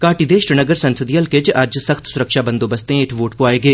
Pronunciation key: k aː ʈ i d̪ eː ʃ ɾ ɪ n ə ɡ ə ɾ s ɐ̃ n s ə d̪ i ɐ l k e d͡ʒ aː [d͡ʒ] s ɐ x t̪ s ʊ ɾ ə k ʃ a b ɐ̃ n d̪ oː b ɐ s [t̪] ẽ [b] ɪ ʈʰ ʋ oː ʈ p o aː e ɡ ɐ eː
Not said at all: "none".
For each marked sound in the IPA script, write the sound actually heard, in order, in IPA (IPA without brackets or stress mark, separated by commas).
d͡ʒ, t̪, none